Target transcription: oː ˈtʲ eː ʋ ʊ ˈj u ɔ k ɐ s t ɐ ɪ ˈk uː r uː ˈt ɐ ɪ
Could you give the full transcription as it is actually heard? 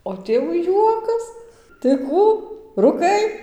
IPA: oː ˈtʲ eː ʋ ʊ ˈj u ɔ k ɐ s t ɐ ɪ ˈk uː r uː ˈk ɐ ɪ